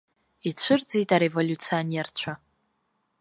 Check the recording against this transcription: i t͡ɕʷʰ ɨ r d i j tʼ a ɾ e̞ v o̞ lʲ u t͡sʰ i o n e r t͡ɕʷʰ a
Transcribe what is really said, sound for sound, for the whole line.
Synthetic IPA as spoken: i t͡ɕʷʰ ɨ r d͡z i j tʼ a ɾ e̞ v o̞ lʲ u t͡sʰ i o n e r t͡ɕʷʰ a